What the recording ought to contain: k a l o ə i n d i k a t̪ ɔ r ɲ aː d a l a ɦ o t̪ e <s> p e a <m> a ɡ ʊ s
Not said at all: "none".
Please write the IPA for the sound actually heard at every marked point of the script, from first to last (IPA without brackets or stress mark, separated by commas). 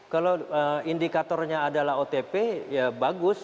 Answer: none, b